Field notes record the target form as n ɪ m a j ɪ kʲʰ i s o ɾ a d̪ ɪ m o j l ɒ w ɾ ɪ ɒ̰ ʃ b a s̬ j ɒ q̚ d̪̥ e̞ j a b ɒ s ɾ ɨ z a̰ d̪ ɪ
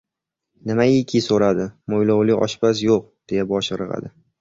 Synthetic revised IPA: n ɪ m a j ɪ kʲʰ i s o ɾ a d̪ ɪ m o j l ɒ w l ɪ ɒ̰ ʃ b a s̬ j o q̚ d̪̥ e̞ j a b ɒ ʃ ɾ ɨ ʁ a̰ d̪ ɪ